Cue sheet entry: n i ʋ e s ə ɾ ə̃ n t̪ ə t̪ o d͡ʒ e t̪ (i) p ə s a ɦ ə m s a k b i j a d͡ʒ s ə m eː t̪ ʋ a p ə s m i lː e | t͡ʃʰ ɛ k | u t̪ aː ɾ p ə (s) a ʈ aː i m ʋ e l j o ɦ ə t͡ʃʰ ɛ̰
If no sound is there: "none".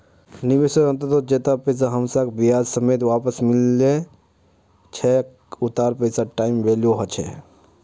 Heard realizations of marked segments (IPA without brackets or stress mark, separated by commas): a, s